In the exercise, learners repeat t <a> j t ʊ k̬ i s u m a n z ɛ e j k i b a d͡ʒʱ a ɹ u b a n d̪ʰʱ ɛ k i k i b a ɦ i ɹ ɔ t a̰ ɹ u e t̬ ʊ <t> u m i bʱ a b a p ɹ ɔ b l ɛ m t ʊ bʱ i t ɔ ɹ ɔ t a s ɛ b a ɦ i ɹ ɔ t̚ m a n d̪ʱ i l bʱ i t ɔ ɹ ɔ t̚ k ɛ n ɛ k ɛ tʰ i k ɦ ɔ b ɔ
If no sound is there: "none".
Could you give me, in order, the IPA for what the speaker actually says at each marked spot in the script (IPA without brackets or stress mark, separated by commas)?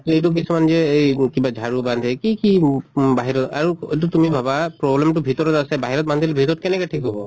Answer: e, t